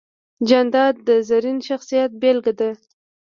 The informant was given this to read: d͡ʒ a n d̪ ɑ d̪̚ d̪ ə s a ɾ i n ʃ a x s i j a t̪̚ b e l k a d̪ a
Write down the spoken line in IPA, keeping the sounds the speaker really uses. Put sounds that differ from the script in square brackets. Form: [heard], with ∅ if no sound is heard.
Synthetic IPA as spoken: d͡ʒ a n d̪ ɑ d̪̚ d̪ ə [z] a ɾ i n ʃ a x s i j a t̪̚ b e l [ɡ] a d̪ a